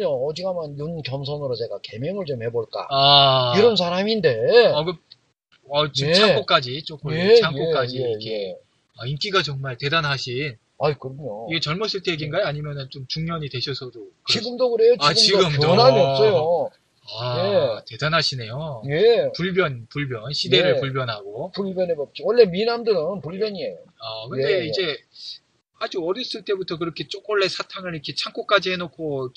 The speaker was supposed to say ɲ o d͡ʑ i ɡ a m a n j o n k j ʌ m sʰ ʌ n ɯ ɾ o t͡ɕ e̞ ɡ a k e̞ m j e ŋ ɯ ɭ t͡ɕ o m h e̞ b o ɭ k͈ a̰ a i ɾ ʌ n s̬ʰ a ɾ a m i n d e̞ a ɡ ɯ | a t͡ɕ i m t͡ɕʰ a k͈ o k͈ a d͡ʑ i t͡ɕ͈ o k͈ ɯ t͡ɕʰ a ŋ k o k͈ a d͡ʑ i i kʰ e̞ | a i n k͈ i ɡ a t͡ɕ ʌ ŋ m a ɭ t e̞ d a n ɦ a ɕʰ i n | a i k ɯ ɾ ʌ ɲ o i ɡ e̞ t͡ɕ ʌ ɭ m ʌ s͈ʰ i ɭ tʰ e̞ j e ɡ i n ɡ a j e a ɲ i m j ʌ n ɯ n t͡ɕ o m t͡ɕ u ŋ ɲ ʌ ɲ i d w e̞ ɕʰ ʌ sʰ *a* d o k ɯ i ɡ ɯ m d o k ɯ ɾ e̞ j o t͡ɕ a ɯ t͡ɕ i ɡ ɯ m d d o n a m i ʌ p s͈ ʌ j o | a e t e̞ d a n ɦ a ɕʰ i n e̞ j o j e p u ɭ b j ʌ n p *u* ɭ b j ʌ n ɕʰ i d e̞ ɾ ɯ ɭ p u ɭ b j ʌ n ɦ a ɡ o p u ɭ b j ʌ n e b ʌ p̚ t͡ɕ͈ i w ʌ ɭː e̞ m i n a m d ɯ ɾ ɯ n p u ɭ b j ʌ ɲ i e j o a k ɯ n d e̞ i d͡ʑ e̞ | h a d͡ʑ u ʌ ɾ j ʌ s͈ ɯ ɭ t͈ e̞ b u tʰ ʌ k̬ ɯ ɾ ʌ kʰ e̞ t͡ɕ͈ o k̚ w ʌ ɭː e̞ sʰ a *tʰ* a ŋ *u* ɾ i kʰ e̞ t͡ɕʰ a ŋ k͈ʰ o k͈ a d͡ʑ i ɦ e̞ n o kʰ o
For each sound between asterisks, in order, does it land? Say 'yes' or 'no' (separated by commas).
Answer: no, yes, yes, no